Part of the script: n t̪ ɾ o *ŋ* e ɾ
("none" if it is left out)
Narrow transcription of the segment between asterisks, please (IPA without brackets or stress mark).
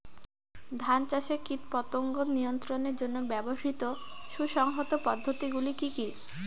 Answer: n